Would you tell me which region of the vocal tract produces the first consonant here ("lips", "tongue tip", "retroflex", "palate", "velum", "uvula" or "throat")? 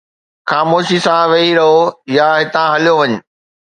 velum